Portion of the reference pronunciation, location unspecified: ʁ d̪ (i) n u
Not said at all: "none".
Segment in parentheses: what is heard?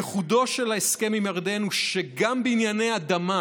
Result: e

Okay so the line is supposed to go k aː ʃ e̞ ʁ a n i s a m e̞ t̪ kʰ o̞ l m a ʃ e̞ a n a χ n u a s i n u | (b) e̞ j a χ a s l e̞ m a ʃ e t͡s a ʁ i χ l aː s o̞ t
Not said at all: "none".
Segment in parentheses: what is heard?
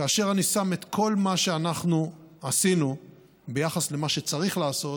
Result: b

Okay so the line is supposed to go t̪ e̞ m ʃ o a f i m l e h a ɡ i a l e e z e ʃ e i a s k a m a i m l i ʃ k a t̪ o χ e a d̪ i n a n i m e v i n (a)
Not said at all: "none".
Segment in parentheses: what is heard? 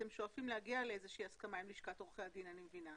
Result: a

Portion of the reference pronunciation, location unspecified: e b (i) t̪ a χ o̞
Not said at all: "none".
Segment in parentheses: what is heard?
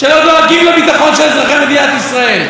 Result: i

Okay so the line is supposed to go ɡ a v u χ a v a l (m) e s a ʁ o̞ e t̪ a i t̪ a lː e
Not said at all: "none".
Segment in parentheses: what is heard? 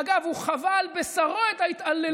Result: b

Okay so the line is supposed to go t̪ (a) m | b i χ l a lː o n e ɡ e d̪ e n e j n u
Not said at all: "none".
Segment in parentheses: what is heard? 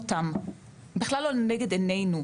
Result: a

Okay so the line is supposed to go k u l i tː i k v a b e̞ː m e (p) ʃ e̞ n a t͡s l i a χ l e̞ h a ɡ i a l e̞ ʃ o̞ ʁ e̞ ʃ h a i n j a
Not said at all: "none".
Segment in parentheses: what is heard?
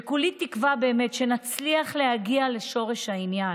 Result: t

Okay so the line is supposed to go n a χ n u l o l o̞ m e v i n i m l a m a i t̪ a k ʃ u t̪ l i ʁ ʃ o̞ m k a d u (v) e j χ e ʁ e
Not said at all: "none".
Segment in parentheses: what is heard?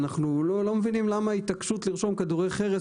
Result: ʁ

